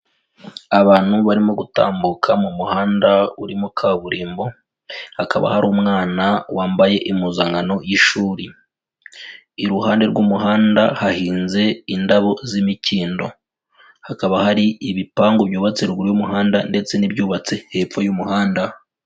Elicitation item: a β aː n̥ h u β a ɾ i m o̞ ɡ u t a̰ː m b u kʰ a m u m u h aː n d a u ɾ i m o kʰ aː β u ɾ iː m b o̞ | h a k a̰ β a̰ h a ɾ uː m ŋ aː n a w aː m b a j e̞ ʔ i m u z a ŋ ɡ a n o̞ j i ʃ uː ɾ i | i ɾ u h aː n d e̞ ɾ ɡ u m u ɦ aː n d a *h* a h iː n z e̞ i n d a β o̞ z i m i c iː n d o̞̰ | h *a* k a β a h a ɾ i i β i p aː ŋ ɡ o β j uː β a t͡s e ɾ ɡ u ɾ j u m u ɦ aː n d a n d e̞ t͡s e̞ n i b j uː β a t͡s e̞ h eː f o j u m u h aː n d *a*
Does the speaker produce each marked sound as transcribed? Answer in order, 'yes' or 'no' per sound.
yes, yes, yes

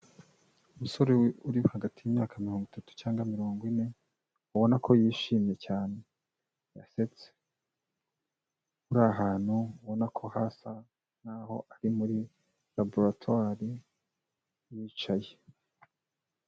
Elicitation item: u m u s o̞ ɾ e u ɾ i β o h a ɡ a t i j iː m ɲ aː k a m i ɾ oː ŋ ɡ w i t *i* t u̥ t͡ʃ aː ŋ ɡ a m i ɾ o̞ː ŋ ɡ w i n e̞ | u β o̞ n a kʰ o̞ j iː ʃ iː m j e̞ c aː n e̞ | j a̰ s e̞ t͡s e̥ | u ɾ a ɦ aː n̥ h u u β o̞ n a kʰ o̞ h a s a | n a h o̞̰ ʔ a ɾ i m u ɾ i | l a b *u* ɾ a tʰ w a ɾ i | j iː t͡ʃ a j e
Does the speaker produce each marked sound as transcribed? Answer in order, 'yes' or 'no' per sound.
no, no

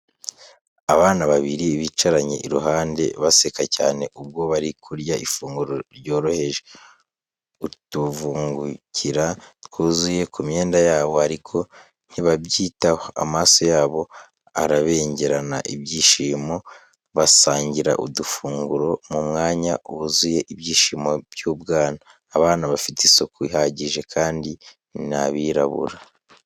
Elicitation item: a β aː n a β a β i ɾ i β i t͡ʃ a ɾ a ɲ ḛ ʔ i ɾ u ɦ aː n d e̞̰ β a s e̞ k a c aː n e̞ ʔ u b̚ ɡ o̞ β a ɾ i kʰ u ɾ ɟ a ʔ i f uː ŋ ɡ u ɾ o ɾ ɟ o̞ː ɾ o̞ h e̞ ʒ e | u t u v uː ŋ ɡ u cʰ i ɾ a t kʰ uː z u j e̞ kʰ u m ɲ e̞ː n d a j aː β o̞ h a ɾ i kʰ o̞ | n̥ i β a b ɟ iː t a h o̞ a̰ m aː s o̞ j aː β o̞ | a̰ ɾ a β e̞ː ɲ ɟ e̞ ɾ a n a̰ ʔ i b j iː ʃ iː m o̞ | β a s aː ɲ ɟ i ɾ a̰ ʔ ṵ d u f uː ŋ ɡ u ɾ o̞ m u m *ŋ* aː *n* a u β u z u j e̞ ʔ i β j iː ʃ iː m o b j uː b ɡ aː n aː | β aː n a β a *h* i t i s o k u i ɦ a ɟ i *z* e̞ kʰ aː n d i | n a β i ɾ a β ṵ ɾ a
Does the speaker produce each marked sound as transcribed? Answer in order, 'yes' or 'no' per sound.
yes, no, no, no

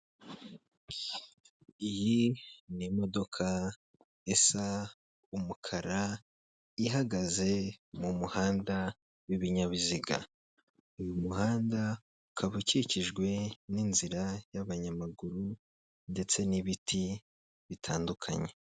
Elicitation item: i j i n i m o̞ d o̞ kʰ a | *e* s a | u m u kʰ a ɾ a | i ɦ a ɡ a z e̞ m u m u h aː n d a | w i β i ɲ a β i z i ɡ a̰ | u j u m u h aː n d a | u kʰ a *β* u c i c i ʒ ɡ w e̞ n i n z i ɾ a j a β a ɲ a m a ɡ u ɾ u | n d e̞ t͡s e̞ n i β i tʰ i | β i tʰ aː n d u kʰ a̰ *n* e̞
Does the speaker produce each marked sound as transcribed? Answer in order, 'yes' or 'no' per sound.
yes, yes, no

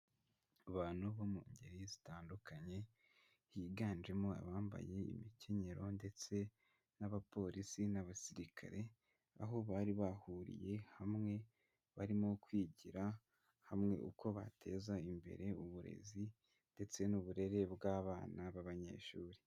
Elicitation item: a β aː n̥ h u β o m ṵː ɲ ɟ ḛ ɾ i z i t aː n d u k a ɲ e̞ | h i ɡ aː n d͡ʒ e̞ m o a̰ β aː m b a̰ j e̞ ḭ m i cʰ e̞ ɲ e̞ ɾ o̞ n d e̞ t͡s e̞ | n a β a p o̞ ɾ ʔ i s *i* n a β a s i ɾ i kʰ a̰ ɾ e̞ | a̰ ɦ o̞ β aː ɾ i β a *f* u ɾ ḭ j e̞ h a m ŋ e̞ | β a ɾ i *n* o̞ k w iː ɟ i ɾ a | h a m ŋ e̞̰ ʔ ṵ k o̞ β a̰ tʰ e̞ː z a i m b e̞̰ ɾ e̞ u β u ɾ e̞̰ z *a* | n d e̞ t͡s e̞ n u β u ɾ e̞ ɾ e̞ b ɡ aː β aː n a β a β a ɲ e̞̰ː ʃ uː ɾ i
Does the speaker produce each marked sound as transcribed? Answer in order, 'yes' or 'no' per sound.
yes, no, no, no

